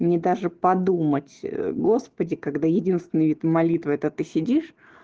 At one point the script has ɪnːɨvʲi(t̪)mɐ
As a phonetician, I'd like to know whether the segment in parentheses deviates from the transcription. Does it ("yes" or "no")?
no